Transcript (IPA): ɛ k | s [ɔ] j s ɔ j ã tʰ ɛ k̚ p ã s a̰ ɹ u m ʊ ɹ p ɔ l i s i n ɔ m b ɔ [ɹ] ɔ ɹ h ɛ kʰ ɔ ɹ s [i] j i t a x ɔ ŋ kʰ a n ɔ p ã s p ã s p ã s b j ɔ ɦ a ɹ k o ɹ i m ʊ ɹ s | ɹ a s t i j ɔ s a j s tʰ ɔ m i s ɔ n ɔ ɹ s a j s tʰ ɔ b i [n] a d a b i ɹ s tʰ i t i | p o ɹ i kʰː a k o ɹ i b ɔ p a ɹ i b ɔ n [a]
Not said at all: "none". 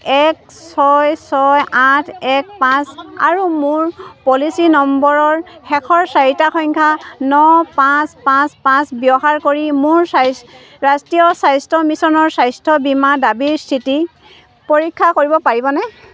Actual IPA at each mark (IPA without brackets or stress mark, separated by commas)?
ɔ, ɹ, a, m, ɛ